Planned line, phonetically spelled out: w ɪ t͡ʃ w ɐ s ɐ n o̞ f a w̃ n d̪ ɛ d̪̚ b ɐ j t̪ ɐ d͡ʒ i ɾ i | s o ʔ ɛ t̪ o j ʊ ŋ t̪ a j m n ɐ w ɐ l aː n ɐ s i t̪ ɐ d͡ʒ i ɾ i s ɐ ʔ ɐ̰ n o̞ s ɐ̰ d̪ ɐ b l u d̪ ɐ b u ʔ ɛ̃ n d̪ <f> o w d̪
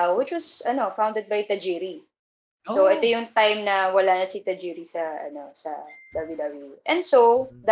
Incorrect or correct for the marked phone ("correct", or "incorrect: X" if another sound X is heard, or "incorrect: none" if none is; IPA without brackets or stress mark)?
incorrect: s